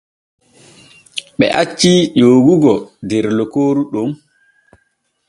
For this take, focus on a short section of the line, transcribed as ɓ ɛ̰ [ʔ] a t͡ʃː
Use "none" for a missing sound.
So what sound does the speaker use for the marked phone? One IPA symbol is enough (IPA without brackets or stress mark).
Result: ʔ